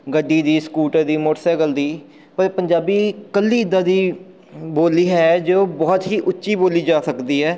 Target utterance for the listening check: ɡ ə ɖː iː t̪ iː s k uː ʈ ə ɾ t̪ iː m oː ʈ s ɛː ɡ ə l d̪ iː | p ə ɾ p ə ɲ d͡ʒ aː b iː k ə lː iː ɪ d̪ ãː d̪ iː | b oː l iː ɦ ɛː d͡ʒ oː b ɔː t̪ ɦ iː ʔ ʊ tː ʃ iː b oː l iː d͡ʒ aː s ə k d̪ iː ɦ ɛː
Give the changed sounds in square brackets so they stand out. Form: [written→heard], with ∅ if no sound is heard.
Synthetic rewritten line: ɡ ə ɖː iː [t̪→d̪] iː s k uː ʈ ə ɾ [t̪→d̪] iː m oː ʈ s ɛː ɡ ə l d̪ iː | p ə ɾ p ə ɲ d͡ʒ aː b iː k ə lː iː ɪ d̪ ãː d̪ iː | b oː l iː ɦ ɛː d͡ʒ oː b ɔː t̪ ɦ iː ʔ ʊ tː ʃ iː b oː l iː d͡ʒ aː s ə k d̪ iː ɦ ɛː

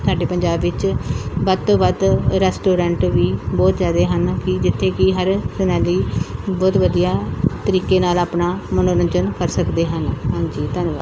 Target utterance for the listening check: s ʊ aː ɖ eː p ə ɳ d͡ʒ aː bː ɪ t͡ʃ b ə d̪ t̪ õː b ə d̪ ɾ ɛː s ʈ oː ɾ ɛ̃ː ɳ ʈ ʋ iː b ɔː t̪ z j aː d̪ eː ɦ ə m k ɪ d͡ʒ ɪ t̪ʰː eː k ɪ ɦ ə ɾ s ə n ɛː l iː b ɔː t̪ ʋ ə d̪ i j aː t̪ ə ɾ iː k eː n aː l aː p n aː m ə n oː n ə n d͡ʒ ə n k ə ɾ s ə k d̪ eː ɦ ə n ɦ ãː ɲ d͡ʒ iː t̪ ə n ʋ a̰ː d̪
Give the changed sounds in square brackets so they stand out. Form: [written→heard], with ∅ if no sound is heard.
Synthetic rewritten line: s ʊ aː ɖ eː p ə [ɳ→ɲ] d͡ʒ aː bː ɪ t͡ʃ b ə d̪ t̪ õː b ə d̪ ɾ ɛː s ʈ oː ɾ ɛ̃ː ɳ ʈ ʋ iː b ɔː t̪ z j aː d̪ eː ɦ ə [m→n] k ɪ d͡ʒ ɪ t̪ʰː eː k ɪ ɦ ə ɾ s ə n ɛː l iː b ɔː t̪ ʋ ə d̪ i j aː t̪ ə ɾ iː k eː n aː l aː p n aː m ə n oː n ə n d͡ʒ ə n k ə ɾ s ə k d̪ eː ɦ ə n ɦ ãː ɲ d͡ʒ iː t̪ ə n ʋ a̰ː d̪

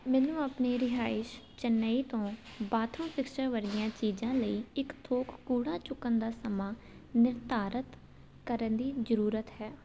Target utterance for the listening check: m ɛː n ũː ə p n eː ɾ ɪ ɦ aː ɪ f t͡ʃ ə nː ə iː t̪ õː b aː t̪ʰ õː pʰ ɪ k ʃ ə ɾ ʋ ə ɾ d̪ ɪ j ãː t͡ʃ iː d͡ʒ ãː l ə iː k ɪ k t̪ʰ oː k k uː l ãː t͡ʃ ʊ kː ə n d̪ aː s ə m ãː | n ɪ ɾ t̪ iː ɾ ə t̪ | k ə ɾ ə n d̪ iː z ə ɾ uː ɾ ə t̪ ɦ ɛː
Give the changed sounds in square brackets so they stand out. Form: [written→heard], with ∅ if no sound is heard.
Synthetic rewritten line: m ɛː n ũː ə p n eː ɾ ɪ ɦ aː ɪ [f→ʃ] t͡ʃ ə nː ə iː t̪ õː b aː t̪ʰ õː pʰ ɪ k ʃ ə ɾ ʋ ə ɾ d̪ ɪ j ãː t͡ʃ iː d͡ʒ ãː l ə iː [k→∅] ɪ k t̪ʰ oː k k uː [l→ɽ] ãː t͡ʃ ʊ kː ə n d̪ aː s ə m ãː | n ɪ ɾ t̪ [iː→aː] ɾ ə t̪ | k ə ɾ ə n d̪ iː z ə ɾ uː ɾ ə t̪ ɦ ɛː

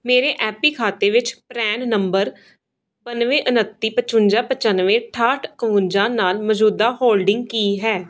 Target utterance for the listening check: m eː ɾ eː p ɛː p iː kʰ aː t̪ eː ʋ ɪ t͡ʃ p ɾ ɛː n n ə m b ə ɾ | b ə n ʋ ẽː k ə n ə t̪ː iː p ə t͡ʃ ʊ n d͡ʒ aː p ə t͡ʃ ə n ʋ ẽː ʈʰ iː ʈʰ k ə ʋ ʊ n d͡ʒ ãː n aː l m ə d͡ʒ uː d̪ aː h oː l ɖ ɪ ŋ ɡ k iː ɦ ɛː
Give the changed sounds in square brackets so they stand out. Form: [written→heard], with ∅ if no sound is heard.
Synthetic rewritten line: m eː ɾ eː [p→ʔ] ɛː p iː kʰ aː t̪ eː ʋ ɪ t͡ʃ p ɾ ɛː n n ə m b ə ɾ | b ə n ʋ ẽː [k→ʔ] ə n ə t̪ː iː p ə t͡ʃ ʊ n d͡ʒ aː p ə t͡ʃ ə n ʋ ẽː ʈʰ [iː→aː] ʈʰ k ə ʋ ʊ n d͡ʒ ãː n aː l m ə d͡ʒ uː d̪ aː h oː l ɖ ɪ ŋ ɡ k iː ɦ ɛː

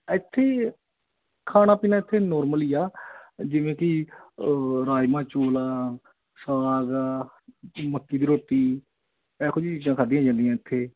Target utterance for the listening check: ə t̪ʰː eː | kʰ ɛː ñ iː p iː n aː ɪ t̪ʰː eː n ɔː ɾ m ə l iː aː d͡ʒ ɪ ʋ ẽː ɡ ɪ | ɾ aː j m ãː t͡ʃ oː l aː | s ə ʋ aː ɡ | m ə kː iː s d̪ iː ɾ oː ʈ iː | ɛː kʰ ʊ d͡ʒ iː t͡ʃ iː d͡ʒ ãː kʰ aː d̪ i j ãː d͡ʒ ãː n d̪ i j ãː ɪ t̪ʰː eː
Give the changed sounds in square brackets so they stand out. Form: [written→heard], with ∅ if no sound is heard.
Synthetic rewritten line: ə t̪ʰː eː | kʰ [ɛː→aː] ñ [iː→aː] p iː n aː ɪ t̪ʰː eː n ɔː ɾ m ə l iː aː d͡ʒ ɪ ʋ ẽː [ɡ→k] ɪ | ɾ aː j m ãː t͡ʃ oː l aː | s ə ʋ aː ɡ | m ə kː iː [s→∅] d̪ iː ɾ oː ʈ iː | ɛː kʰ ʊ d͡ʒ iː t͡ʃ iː d͡ʒ ãː kʰ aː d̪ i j ãː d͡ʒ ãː n d̪ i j ãː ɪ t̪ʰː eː

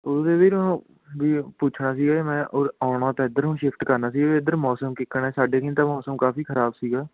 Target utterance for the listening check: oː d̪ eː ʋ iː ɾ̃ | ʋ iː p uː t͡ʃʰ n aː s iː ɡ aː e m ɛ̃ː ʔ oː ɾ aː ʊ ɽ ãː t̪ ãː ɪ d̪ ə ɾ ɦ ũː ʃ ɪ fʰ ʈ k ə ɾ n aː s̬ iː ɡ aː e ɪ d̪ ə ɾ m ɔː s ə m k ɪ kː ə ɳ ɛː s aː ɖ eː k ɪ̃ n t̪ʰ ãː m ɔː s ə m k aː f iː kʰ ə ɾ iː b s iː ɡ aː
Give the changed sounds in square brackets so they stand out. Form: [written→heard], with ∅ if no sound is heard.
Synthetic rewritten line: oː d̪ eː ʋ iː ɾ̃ | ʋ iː p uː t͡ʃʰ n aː s iː ɡ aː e m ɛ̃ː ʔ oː ɾ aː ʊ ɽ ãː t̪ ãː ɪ d̪ ə ɾ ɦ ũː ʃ ɪ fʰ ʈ k ə ɾ n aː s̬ iː ɡ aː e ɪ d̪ ə ɾ m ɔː s ə m k ɪ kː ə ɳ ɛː s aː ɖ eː k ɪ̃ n [t̪ʰ→t̪] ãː m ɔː s ə m k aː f iː kʰ ə ɾ [iː→aː] b s iː ɡ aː

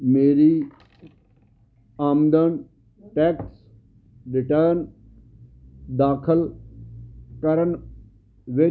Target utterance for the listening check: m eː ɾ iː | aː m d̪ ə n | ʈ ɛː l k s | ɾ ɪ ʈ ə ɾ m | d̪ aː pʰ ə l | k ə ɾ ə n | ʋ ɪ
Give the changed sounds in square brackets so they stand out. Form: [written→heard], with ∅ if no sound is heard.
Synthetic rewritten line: m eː ɾ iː | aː m d̪ ə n | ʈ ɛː [l→∅] k s | ɾ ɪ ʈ ə ɾ [m→n] | d̪ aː [pʰ→kʰ] ə l | k ə ɾ ə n | ʋ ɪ

